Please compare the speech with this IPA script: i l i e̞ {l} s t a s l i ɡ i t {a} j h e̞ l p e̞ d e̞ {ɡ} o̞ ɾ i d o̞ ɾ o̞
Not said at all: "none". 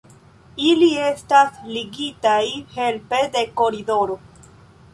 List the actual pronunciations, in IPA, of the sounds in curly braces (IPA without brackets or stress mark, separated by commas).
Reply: none, a, k